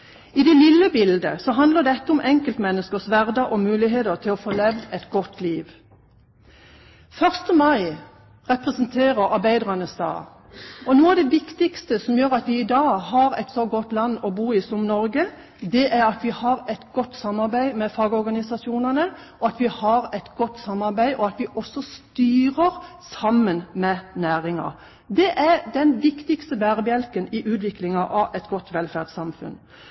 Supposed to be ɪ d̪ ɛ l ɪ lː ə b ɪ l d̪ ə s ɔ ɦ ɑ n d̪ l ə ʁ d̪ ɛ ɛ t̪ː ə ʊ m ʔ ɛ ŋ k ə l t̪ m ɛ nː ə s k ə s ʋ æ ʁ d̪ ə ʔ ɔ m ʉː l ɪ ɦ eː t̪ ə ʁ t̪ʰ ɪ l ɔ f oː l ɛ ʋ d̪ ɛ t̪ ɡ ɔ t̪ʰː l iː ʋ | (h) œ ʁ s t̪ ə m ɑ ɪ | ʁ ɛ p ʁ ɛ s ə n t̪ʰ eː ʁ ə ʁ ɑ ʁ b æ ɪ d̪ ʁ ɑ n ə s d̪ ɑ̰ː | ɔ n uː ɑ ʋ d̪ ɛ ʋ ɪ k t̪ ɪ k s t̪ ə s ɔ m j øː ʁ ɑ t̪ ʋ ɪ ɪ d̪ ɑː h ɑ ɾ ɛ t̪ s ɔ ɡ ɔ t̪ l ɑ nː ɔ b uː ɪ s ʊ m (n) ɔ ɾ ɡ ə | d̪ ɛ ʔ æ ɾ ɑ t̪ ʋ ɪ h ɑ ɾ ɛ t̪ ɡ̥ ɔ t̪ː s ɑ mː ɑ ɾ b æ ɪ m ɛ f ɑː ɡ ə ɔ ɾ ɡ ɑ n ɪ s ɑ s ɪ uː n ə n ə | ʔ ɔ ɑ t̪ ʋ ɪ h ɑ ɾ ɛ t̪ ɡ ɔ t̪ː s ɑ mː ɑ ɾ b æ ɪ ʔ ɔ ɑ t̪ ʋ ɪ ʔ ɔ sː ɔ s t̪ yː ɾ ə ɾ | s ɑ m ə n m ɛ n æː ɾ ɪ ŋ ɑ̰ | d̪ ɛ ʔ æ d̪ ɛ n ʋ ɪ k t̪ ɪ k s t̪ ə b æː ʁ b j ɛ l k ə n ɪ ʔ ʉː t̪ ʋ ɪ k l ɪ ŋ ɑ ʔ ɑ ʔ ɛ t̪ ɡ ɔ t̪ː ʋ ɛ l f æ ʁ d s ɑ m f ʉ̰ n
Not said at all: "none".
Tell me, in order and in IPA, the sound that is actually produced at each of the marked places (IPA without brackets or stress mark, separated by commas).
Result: f, n